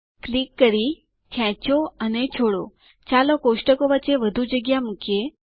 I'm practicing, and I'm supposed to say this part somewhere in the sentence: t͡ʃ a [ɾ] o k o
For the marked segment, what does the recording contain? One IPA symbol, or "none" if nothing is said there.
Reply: l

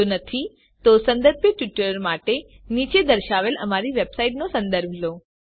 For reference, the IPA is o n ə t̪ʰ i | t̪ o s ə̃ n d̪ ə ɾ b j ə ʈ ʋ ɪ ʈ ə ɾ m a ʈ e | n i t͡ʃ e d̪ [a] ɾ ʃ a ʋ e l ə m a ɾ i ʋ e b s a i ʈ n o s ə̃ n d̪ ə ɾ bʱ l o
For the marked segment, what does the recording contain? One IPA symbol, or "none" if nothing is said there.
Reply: ə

